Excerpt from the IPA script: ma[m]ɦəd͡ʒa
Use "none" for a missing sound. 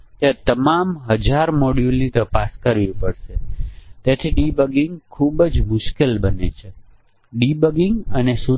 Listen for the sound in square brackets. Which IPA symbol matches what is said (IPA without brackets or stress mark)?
m